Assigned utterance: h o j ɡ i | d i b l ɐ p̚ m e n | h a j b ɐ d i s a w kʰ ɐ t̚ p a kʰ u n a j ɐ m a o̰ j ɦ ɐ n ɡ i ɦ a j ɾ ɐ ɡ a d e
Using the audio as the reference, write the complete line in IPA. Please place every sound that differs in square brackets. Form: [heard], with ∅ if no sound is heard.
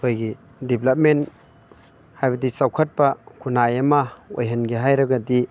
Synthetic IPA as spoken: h o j ɡ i | d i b l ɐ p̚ m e n | h a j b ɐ d i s a w kʰ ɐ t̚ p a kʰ u n a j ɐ m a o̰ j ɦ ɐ n ɡ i ɦ a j ɾ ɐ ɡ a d [i]

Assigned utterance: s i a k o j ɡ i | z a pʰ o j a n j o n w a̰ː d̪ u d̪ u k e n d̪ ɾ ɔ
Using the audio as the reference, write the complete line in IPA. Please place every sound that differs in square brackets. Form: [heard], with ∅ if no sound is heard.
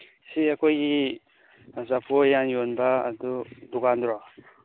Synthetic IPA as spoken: s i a k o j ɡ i | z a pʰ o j a n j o n [b] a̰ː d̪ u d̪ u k [a] n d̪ ɾ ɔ

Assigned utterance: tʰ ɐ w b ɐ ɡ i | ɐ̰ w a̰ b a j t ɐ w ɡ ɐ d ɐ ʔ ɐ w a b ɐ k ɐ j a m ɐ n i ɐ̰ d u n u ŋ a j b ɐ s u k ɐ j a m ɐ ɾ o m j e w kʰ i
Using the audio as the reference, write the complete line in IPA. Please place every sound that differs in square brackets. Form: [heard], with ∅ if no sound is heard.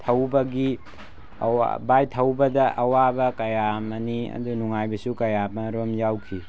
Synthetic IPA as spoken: tʰ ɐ w b ɐ ɡ i | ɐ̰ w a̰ b a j [tʰ] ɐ w [b] ɐ d ɐ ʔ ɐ w a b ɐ k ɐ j a m ɐ n i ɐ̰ d u n u ŋ a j b ɐ s u k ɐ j a m ɐ ɾ o m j [a] w kʰ i

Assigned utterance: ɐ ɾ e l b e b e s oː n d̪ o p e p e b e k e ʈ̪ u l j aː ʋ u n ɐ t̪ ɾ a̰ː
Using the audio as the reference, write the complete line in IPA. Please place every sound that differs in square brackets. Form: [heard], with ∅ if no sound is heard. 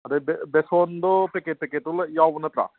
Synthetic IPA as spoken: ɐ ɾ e [∅] b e b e s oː n d̪ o p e [k] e [p] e k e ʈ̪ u l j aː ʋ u n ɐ t̪ ɾ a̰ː

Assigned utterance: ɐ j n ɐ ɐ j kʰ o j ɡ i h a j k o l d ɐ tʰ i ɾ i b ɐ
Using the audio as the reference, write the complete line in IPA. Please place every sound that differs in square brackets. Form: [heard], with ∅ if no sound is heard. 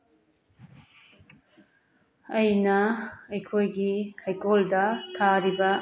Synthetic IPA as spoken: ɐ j n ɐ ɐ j kʰ o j ɡ i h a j k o l d ɐ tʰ [a] ɾ i b ɐ

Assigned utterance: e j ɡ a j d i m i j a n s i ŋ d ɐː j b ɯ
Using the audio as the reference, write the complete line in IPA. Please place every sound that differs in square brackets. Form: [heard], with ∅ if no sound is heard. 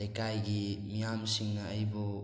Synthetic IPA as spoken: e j [k] a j [ɡ] i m i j a [m] s i ŋ [n] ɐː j b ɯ

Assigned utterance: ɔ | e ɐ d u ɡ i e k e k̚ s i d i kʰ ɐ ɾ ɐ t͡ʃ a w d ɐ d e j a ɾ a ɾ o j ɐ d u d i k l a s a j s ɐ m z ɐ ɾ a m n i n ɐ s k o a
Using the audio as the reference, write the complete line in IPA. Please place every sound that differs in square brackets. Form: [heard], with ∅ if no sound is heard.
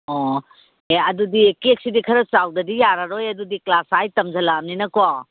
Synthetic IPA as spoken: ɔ | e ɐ d u [d] i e k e k̚ s i d i kʰ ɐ ɾ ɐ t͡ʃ a w d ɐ d [i] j a ɾ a ɾ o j ɐ d u d i k l a s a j [t] ɐ m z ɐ [l] a m n i n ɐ [∅] k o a

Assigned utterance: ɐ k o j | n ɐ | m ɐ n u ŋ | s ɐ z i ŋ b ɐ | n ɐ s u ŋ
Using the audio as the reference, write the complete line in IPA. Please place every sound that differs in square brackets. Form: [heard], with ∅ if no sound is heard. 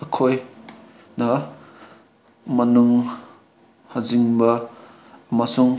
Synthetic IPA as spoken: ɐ [kʰ] o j | n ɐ | m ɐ n u ŋ | [h] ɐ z i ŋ b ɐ | [m] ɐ s u ŋ

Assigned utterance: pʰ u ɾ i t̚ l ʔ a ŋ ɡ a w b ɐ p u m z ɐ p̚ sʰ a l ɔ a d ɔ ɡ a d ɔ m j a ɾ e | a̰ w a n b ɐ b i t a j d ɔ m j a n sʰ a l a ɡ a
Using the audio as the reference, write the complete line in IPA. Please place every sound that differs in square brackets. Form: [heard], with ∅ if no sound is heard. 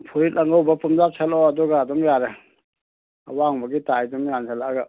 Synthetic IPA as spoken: pʰ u ɾ i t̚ l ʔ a ŋ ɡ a w b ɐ p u m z [a] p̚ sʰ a l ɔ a d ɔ ɡ a d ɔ m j a ɾ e | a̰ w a [ŋ] b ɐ [ɡ] i t a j d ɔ m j a n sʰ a l a ɡ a

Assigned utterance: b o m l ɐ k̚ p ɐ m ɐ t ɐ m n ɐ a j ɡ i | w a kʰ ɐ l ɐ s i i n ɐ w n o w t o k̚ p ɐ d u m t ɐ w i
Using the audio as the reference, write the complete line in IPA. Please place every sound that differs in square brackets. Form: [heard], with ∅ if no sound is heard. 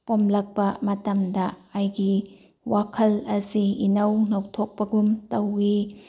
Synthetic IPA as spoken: [p] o m l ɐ k̚ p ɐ m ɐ t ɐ m [d] ɐ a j ɡ i | w a kʰ ɐ l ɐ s i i n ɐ w n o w [tʰ] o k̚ p ɐ [ɡ] u m t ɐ w i

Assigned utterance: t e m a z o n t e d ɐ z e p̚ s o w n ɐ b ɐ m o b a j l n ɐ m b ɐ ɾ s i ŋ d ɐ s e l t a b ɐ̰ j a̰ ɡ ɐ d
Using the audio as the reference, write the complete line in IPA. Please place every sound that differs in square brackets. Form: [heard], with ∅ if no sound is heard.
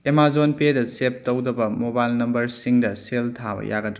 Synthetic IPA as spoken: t e m a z o n [p] e d ɐ [s] e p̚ [t] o w [d] ɐ b ɐ m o b a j l n ɐ m b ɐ ɾ s i ŋ d ɐ s e l [tʰ] a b ɐ̰ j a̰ ɡ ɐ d

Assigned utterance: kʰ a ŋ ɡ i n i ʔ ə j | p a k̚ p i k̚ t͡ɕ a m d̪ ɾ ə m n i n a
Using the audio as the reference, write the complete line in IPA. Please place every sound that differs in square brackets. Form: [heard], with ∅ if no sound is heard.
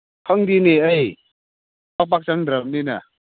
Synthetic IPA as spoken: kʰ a ŋ [d] i n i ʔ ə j | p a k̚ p [a] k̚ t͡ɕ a [ŋ] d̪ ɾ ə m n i n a

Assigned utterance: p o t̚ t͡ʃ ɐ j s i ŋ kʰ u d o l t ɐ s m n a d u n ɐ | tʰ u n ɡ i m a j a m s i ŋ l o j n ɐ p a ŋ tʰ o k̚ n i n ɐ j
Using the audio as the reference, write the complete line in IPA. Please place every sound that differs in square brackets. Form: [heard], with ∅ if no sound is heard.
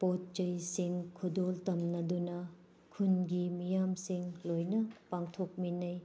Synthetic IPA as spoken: p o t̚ t͡ʃ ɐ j s i ŋ kʰ u d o l t ɐ [∅] m n [ɐ] d u n ɐ | [kʰ] u n ɡ i m [i] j a m s i ŋ l o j n ɐ p a ŋ tʰ o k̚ [m] i n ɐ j

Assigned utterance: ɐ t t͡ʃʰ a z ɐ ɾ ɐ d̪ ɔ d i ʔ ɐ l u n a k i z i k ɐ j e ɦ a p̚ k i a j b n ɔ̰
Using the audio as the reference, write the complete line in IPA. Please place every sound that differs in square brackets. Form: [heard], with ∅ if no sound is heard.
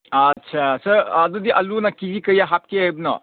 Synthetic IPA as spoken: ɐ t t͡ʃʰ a [s] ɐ ɾ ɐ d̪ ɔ d i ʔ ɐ l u n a k i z i k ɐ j [a] ɦ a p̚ k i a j b n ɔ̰

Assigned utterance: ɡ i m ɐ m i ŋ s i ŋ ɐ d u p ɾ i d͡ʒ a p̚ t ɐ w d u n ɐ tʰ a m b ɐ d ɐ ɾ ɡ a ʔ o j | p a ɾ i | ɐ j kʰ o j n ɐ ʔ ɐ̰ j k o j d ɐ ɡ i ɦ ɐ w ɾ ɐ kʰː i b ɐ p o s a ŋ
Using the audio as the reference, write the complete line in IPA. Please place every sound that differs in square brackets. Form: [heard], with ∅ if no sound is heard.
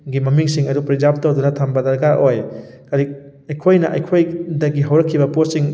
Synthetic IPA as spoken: ɡ i m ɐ m i ŋ s i ŋ ɐ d u p ɾ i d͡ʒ a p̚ t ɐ w d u n ɐ tʰ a m b ɐ d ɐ ɾ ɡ a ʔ o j | [k] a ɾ i | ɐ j kʰ o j n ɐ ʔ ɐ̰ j [kʰ] o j d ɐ ɡ i ɦ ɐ w ɾ ɐ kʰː i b ɐ p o s [i] ŋ

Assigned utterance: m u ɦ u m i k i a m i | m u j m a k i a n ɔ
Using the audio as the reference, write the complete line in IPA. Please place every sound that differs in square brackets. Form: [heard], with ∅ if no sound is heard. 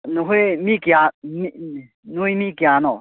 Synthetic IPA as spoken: [n] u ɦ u m i k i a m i | [n] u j m [i] k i a n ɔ

